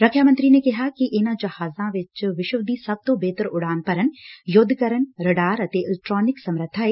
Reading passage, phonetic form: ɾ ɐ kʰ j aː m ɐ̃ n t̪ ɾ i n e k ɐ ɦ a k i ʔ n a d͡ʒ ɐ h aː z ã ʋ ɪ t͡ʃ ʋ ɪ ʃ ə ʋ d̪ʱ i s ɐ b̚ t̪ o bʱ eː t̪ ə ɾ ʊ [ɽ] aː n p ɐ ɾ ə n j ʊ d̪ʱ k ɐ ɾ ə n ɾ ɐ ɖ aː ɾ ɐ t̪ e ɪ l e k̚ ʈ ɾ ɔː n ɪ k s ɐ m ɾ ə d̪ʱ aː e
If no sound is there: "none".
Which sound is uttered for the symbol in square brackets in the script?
ɽ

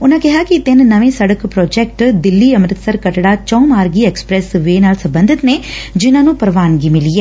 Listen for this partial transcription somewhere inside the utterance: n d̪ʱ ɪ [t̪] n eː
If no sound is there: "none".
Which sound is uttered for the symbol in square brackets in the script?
t̪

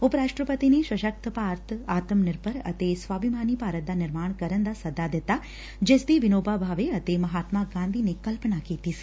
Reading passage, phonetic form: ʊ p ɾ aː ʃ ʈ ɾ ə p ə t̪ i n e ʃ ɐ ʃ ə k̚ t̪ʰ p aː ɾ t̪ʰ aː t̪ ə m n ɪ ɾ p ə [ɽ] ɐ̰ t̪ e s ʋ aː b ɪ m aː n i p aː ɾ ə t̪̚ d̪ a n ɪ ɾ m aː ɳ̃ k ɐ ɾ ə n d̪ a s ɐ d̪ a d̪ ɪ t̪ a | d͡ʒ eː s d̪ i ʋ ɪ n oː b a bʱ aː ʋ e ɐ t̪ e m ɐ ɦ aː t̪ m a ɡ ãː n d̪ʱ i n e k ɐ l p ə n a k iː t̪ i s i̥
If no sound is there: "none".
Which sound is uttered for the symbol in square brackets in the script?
ɾ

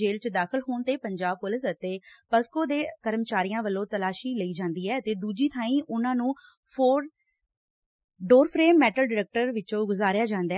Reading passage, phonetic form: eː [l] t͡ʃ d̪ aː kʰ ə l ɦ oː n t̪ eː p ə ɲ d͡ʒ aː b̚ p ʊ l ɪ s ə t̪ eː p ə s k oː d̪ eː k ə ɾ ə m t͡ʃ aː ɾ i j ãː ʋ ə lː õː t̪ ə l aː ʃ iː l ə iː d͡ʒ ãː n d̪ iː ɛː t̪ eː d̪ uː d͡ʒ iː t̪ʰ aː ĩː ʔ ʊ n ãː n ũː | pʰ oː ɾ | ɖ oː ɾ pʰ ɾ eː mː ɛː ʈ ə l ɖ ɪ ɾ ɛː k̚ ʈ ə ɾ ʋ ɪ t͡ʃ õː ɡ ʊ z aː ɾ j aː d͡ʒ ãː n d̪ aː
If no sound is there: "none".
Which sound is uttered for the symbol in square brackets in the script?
l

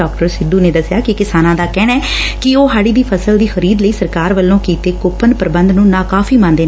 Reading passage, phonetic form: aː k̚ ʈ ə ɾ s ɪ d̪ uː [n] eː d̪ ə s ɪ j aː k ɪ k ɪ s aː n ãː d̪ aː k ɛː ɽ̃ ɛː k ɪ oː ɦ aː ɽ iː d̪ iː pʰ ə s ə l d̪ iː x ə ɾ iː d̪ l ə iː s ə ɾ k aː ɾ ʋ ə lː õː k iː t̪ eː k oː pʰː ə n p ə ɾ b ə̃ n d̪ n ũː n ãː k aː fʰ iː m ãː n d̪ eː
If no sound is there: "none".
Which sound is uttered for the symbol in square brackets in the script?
n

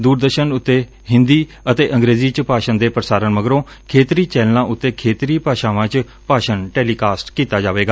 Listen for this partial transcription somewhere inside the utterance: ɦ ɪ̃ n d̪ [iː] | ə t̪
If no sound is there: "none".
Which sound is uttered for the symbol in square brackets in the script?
iː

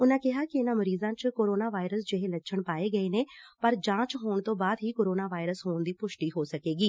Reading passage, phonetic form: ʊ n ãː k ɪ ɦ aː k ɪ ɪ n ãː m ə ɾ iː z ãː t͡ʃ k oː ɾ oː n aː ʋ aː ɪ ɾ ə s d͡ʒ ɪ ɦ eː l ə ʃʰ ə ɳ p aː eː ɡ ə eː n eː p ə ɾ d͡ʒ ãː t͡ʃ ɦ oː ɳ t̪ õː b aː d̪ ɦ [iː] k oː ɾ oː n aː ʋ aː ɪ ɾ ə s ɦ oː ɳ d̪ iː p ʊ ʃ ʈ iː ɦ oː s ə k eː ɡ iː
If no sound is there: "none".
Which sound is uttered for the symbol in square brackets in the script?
iː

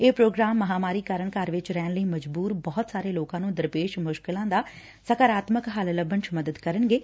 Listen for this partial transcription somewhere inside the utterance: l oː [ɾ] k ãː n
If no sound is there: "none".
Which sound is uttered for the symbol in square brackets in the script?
none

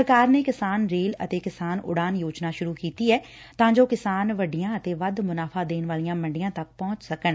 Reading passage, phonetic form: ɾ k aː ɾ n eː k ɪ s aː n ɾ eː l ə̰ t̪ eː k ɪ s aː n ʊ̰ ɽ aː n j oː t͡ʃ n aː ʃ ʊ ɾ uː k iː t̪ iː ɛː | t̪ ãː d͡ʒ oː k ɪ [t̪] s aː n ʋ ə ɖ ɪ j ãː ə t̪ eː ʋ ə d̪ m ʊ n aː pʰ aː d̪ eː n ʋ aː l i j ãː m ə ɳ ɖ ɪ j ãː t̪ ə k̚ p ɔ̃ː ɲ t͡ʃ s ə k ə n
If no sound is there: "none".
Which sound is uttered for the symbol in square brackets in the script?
none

